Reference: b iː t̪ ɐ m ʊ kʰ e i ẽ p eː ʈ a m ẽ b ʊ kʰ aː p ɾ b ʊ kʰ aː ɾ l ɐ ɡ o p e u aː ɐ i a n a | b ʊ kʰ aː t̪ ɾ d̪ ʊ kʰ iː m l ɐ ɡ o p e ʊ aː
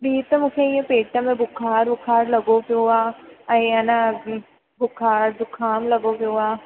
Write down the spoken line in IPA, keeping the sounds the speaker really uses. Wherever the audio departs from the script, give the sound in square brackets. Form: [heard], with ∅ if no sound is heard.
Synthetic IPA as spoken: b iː t̪ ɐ m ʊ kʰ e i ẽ p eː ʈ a m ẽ b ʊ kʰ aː [∅] ɾ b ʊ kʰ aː ɾ l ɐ ɡ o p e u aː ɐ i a n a | b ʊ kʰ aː [∅] ɾ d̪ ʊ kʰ [aː] m l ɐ ɡ o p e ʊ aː